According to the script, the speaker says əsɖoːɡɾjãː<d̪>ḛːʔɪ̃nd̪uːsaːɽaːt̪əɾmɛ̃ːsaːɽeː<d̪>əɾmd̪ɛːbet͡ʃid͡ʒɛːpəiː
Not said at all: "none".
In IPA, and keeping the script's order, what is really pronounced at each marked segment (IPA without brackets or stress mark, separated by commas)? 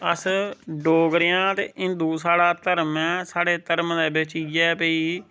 t̪, t̪